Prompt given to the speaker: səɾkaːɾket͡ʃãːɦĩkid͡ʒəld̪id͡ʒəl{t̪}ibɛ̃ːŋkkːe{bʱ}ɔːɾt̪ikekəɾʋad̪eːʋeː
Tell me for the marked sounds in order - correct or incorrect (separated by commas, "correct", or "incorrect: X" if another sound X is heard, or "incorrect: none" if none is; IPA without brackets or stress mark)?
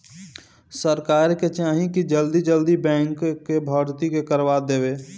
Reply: incorrect: d̪, correct